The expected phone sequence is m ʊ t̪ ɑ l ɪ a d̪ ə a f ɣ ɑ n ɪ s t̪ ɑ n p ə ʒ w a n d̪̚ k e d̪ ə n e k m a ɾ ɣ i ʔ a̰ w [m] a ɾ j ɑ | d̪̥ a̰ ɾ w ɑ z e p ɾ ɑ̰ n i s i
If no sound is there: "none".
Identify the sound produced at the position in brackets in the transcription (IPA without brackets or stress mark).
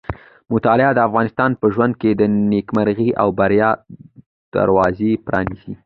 b